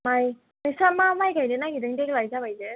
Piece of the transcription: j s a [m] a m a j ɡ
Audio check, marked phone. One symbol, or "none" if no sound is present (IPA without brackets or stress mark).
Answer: m